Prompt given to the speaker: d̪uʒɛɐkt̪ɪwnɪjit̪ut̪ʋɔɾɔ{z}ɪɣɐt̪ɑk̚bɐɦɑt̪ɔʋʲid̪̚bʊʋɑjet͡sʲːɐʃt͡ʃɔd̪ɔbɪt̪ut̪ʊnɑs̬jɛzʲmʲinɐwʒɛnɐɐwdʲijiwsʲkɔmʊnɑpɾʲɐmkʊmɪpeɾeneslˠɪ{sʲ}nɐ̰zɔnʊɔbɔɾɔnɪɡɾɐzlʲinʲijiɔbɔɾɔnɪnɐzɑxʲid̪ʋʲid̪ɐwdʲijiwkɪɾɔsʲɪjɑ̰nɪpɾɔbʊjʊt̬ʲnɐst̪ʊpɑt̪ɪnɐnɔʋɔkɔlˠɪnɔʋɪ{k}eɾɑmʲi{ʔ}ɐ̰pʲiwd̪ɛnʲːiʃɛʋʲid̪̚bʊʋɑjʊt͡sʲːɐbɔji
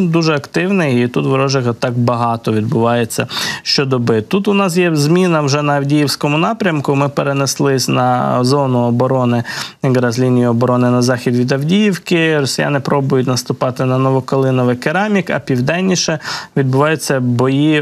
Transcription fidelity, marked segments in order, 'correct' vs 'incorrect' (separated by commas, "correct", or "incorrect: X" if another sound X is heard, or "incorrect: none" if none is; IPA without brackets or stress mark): incorrect: ʒ, correct, correct, incorrect: k